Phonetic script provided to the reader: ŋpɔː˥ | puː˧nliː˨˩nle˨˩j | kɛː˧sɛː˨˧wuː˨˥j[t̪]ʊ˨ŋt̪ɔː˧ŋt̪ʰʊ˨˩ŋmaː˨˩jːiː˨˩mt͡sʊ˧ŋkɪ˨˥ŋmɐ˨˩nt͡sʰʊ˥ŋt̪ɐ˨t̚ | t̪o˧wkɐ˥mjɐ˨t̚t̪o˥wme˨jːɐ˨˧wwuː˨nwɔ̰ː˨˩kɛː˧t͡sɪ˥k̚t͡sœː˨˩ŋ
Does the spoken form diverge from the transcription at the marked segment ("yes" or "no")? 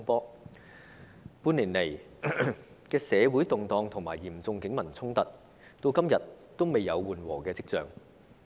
no